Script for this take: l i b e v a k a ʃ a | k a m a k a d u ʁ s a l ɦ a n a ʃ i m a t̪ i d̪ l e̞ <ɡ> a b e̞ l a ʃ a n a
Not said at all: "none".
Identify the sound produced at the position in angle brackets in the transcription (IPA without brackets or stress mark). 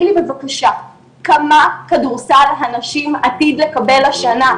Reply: k